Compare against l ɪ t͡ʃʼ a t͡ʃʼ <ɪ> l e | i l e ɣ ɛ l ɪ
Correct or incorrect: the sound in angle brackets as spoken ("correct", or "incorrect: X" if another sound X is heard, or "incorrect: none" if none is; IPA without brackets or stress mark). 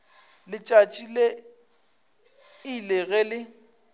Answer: incorrect: i